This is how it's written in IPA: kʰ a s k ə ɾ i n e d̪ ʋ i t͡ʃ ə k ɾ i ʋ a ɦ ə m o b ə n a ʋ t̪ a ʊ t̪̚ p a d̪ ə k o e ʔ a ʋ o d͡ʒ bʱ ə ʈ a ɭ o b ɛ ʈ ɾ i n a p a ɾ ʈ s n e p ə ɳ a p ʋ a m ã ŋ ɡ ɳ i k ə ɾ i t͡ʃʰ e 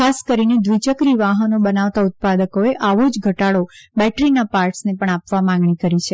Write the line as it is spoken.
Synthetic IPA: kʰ a s k ə ɾ i n e d̪ ʋ i t͡ʃ ə k ɾ i ʋ a ɦ ə n o b ə n a ʋ t̪ a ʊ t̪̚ p a d̪ ə k o e ʔ a ʋ o d͡ʒ ɡʱ ə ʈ a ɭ o b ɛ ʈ ɾ i n a p a ɾ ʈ s n e p ə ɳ a p ʋ a m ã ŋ ɡ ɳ i k ə ɾ i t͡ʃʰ e